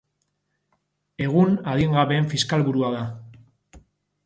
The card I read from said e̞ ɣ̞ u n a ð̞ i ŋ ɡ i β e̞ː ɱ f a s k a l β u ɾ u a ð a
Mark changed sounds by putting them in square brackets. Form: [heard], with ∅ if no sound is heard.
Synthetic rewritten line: e̞ ɣ̞ u n a ð̞ i ŋ ɡ [a] β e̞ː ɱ f [i] s k a l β u ɾ u a ð a